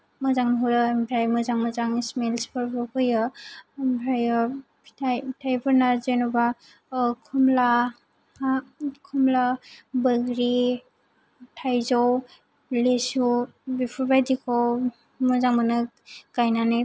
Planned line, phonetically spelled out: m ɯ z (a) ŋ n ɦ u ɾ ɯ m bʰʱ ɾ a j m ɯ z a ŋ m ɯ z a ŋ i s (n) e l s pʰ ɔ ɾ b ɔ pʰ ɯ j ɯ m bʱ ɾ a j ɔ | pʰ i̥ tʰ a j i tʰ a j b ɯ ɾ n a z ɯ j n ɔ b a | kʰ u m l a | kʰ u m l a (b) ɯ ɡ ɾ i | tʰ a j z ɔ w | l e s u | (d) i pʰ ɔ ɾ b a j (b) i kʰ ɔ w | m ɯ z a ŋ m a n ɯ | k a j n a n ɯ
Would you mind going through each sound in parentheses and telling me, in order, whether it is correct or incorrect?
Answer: correct, incorrect: m, correct, incorrect: b, incorrect: d

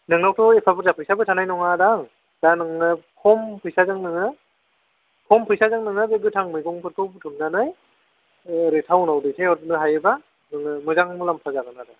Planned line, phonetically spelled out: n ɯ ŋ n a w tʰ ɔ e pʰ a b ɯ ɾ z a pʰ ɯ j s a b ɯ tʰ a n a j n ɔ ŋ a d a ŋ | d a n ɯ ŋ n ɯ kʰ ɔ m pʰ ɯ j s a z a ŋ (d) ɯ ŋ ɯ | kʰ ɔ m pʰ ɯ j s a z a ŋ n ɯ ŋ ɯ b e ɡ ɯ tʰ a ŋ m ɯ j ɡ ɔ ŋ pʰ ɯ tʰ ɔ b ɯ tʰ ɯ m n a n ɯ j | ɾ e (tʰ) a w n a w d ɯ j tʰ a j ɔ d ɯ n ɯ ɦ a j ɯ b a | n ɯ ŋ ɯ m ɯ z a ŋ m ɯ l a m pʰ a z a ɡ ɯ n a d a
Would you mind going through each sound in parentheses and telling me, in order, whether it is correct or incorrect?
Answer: incorrect: n, correct

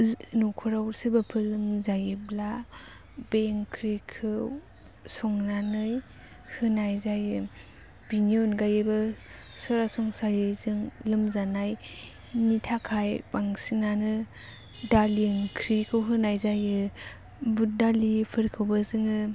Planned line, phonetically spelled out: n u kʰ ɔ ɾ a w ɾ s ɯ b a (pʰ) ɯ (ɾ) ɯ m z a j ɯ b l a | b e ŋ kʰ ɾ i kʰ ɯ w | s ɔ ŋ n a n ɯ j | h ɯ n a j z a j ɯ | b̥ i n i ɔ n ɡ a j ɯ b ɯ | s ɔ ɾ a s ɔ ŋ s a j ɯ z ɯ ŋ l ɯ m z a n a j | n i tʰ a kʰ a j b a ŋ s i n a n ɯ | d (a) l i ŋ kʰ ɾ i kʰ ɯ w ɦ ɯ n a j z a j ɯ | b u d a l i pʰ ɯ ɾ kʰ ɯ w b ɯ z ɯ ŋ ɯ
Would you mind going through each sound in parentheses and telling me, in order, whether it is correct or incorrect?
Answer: correct, incorrect: l, correct

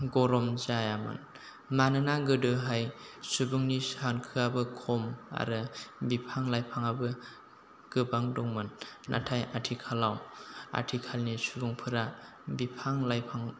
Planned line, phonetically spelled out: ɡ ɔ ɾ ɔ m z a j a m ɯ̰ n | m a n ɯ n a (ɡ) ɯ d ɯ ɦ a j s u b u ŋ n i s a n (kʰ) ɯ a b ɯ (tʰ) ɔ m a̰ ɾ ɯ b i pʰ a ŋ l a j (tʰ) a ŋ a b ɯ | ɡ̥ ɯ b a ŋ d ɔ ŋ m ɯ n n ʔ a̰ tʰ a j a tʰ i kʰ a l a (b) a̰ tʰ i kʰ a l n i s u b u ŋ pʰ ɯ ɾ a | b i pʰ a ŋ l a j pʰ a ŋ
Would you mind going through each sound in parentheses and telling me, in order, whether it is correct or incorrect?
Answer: correct, correct, incorrect: kʰ, incorrect: pʰ, incorrect: w

